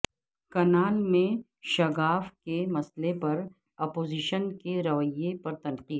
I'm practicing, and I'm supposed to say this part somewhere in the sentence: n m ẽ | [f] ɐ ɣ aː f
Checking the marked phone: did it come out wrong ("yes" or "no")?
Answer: yes